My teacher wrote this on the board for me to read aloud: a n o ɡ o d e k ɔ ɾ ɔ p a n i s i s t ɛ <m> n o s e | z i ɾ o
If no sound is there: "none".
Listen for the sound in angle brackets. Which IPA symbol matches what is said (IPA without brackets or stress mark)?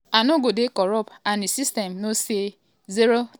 m